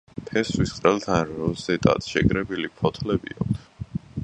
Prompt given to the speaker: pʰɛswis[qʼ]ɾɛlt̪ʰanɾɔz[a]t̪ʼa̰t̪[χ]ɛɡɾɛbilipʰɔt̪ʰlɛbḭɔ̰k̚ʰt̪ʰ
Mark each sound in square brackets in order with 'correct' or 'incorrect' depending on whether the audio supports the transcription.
correct, incorrect, incorrect

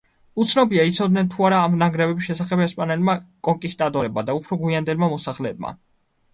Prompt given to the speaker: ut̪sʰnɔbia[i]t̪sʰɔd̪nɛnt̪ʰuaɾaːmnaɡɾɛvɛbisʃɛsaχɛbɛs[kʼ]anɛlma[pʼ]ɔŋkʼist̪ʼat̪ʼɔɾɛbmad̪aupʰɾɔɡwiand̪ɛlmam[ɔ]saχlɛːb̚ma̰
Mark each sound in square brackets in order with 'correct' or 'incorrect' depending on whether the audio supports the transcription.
correct, incorrect, incorrect, correct

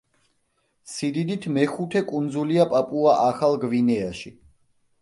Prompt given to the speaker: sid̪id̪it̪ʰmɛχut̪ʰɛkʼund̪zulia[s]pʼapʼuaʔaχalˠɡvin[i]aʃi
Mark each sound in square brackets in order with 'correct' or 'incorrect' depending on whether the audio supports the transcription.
incorrect, incorrect

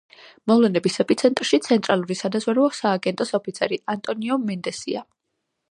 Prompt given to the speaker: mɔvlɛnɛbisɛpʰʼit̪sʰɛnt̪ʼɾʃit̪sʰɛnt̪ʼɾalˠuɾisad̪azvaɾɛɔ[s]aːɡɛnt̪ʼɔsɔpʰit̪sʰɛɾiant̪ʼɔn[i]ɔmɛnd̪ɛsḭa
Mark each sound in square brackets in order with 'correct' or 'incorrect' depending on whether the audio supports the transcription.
correct, correct

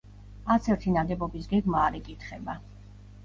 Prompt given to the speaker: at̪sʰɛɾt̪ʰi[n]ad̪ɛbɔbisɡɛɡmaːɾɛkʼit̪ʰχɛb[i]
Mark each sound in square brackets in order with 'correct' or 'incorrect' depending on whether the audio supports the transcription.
correct, incorrect

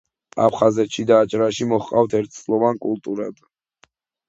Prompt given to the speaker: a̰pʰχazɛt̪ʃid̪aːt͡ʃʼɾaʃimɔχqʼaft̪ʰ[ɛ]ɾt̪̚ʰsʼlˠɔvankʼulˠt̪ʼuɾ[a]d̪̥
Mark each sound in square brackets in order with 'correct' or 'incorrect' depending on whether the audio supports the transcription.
correct, correct

